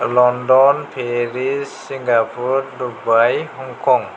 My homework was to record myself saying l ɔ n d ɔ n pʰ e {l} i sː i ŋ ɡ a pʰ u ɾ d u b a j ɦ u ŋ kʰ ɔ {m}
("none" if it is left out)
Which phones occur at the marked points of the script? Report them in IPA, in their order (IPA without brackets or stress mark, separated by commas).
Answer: ɾ, ŋ